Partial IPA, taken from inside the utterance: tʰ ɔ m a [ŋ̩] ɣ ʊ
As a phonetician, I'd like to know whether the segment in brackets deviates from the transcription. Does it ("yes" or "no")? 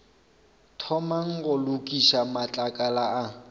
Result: no